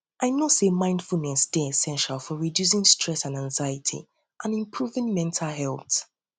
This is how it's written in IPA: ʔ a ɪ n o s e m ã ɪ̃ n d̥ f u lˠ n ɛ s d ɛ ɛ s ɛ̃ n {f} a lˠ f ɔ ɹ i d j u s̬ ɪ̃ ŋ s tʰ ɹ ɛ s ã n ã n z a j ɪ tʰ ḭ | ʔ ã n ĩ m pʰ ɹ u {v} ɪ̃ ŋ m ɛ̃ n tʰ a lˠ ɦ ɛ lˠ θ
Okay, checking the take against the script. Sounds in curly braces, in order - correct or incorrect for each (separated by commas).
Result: incorrect, correct